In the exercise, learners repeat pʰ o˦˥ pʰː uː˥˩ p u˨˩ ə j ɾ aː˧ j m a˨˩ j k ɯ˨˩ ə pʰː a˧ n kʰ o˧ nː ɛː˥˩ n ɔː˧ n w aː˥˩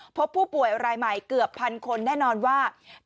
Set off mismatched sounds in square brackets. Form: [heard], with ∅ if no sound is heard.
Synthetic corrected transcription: pʰ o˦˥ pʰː uː˥˩ p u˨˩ ə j ɾ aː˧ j m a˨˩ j k ɯ˨˩ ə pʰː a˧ n kʰ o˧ nː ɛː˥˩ n ɔː˧ n w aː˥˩